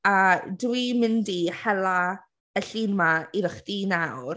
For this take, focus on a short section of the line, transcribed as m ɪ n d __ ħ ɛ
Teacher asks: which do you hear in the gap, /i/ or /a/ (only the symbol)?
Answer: i